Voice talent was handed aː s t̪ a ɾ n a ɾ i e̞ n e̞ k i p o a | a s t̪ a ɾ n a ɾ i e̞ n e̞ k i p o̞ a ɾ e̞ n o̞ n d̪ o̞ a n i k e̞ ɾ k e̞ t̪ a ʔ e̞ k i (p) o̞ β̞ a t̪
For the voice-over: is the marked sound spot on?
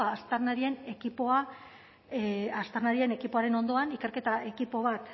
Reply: yes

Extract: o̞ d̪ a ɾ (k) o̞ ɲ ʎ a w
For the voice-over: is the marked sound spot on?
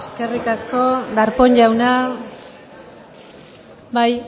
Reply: no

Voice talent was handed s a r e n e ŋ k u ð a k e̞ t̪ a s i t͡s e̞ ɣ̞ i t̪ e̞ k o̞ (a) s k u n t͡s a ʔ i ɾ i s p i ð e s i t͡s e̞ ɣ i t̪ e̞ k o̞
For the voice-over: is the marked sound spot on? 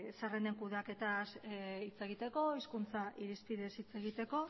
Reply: no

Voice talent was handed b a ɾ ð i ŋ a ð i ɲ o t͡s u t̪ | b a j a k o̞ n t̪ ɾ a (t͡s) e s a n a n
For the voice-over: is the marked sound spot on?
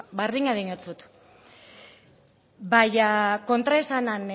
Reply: no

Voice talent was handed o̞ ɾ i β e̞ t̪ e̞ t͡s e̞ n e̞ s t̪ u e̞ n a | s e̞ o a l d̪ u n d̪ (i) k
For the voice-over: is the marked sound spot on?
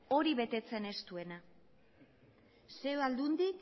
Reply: yes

